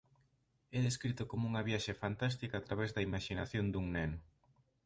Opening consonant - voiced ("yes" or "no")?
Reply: yes